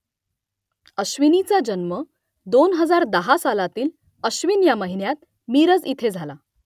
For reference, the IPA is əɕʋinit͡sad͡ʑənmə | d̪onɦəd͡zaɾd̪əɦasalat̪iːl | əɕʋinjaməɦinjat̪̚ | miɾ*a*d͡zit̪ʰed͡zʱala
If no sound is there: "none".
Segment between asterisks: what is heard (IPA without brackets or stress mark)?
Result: ə